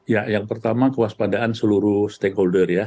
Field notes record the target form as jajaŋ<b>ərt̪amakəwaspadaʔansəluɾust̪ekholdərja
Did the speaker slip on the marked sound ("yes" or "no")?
yes